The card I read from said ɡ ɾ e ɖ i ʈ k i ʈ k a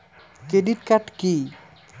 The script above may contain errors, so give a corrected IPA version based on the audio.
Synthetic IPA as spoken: k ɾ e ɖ i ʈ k a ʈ k i